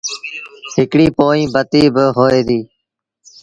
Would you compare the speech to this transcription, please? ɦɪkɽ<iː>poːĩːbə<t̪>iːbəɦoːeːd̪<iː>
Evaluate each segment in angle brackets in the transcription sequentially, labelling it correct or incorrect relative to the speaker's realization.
correct, correct, correct

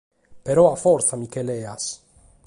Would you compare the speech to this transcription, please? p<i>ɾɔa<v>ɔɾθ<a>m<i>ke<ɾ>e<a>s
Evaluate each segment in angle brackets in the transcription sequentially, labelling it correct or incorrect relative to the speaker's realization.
incorrect: e, incorrect: f, correct, correct, incorrect: l, correct

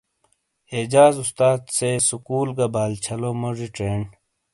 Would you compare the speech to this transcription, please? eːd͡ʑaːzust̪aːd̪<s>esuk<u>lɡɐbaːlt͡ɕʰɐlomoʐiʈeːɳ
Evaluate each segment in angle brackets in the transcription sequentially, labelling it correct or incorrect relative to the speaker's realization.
correct, incorrect: uː

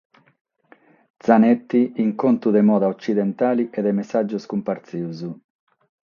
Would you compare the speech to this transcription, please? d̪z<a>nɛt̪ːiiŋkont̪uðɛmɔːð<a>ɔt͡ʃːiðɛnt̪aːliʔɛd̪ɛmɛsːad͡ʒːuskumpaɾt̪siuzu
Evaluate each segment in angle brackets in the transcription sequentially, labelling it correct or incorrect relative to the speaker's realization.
correct, correct

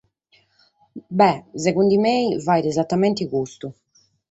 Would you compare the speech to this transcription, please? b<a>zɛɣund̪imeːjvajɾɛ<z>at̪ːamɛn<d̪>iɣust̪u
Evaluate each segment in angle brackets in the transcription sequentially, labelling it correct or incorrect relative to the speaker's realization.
incorrect: ɛ, correct, incorrect: t̪

